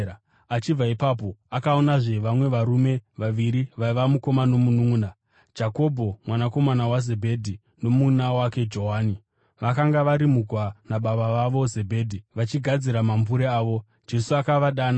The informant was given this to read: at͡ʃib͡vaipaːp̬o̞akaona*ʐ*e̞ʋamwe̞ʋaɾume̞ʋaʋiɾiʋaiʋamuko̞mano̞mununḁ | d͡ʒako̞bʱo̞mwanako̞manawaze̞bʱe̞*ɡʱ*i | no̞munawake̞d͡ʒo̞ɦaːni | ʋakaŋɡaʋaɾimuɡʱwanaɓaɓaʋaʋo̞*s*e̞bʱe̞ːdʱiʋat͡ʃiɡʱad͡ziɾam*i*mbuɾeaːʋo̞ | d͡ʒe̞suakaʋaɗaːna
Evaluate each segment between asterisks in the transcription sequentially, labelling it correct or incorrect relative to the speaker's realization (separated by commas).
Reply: correct, incorrect, incorrect, incorrect